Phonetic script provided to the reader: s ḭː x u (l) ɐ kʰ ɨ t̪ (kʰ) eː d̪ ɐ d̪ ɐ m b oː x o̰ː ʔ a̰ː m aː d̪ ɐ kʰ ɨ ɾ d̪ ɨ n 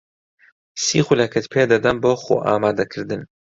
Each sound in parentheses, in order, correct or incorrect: correct, incorrect

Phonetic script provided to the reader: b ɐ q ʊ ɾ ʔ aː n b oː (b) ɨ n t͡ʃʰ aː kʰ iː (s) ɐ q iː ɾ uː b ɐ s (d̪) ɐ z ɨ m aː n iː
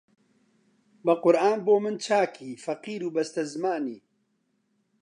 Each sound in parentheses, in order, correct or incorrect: incorrect, incorrect, incorrect

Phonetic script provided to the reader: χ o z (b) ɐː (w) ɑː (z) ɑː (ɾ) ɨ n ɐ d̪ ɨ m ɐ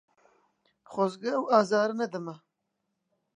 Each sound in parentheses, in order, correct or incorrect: incorrect, correct, correct, correct

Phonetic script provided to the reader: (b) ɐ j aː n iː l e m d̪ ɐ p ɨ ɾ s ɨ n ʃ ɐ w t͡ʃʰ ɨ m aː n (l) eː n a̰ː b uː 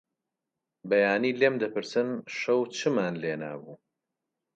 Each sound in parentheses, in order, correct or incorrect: correct, correct

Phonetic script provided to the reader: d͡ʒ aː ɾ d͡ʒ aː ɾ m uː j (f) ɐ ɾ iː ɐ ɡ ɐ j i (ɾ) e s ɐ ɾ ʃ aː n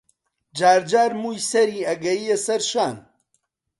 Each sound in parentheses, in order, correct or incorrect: incorrect, incorrect

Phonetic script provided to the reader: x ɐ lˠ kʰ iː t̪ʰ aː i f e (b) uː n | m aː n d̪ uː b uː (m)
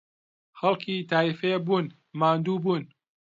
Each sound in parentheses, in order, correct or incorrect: correct, incorrect

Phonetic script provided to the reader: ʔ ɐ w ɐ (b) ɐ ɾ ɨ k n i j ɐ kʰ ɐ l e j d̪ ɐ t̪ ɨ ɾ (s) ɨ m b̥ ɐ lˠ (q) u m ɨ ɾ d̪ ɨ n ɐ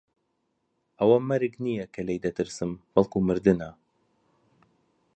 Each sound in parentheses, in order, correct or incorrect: incorrect, correct, incorrect

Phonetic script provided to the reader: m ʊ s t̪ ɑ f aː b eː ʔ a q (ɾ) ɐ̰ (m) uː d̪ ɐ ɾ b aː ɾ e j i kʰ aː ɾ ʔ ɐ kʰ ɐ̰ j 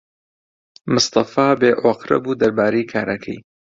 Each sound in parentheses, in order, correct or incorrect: correct, incorrect

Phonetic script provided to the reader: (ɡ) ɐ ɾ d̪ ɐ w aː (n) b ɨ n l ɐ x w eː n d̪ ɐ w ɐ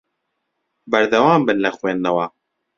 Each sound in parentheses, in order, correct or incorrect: incorrect, incorrect

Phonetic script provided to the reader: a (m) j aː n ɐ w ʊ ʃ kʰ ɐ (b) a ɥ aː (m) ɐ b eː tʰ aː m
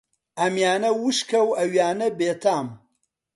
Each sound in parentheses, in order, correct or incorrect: correct, incorrect, incorrect

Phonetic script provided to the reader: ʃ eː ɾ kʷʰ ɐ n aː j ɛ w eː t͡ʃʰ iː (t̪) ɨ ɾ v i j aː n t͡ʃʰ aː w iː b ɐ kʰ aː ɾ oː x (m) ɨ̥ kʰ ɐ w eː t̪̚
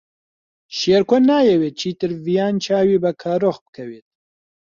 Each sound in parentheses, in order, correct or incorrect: correct, incorrect

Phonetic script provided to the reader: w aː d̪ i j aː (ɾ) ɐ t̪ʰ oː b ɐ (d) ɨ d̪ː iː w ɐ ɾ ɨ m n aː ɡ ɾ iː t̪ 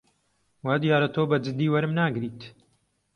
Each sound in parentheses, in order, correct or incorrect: correct, incorrect

